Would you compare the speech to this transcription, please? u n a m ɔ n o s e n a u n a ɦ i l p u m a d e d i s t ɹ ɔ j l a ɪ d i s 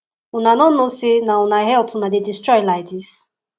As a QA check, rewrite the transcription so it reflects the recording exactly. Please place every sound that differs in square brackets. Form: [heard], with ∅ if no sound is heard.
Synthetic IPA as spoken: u n a [n] ɔ n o s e n a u n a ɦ [ɛ] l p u [n] a d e d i s t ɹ ɔ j l a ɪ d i s